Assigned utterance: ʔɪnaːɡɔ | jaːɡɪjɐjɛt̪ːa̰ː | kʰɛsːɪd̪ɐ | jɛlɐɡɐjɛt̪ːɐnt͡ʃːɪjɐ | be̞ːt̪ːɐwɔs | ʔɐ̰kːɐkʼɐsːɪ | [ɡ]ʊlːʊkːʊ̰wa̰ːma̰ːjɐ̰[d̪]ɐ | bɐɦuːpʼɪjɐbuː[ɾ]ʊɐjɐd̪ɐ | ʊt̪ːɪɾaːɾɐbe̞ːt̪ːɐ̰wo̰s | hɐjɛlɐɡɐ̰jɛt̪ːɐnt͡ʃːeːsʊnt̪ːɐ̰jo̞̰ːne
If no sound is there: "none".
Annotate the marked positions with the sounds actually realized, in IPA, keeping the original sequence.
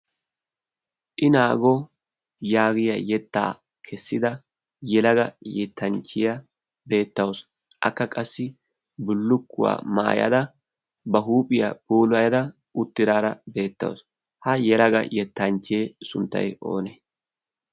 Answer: b, d̪, l

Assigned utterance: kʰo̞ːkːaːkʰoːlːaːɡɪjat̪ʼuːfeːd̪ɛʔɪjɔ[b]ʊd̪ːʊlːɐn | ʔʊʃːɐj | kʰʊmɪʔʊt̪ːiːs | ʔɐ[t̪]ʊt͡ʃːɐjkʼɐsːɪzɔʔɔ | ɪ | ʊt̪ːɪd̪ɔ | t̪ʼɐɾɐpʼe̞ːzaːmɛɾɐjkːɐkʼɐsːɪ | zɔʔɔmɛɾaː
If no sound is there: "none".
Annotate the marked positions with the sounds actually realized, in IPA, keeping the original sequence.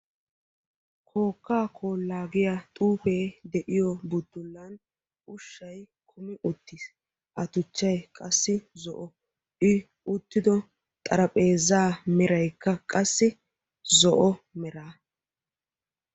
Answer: b, t̪

